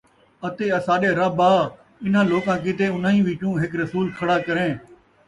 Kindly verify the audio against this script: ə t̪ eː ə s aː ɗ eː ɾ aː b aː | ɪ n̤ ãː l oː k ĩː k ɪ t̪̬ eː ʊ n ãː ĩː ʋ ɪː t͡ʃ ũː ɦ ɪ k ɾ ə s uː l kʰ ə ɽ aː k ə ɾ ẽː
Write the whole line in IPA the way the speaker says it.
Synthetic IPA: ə t̪ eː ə s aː ɗ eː ɾ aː b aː | ɪ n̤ ãː l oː k ãː k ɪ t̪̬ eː ʊ n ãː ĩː ʋ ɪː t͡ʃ ũː ɦ ɪ k ɾ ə s uː l kʰ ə ɽ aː k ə ɾ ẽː